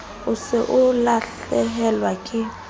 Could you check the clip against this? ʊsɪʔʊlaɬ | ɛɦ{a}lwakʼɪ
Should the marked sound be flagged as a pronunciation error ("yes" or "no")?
yes